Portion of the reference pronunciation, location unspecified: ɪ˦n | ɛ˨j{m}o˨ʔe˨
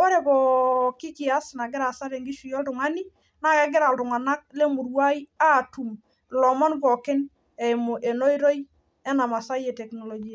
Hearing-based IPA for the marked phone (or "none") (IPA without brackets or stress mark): m